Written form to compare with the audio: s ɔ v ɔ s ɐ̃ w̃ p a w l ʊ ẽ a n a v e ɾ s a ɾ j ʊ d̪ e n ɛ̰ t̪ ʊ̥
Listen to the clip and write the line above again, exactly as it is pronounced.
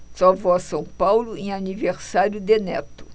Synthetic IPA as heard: s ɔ v ɔ s ɐ̃ w̃ p a w l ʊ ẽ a n i v e ɾ s a ɾ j ʊ d̪ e n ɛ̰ t̪ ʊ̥